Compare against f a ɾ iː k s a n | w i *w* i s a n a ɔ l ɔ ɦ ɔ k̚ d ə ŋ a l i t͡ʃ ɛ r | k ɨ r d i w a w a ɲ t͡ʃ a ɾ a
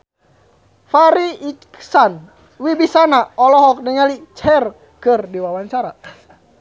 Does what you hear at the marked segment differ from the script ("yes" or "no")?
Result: yes